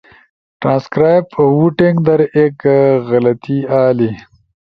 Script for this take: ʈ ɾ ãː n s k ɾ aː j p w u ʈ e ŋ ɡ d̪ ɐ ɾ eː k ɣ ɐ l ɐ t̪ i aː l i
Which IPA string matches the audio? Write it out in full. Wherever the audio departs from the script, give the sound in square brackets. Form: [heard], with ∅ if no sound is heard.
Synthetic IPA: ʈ ɾ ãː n s k ɾ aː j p w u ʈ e ŋ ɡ d̪ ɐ ɾ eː k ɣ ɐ l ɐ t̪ i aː l i